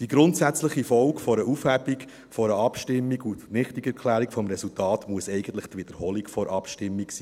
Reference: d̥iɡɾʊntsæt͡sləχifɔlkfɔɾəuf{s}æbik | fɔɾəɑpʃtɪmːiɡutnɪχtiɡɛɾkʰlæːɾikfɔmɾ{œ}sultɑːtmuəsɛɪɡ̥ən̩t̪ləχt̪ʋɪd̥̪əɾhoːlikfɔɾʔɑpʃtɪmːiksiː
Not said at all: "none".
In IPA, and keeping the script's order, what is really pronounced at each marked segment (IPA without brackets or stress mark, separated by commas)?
h, ɛ